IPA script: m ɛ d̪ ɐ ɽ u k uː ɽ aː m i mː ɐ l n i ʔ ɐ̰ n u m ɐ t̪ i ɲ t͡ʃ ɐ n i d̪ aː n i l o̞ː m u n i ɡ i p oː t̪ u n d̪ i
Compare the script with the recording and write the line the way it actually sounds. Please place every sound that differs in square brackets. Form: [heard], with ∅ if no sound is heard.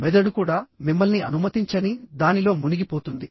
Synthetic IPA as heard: m ɛ d̪ ɐ ɽ u k uː ɽ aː m i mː ɐ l n i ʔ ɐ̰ n u m ɐ t̪ i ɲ t͡ʃ ɐ n i d̪ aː n i l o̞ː m u n i ɡ i p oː t̪ u n d̪ i